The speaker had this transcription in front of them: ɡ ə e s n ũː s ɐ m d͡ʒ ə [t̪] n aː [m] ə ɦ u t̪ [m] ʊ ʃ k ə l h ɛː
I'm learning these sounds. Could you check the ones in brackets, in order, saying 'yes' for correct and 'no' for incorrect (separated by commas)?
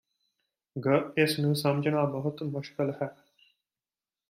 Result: no, no, yes